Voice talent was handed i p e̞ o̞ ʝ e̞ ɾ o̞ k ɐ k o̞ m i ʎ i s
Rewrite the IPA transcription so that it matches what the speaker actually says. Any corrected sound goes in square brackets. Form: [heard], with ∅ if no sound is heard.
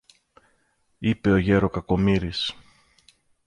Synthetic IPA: i p e̞ o̞ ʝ e̞ ɾ o̞ k ɐ k o̞ m i [ɾ] i s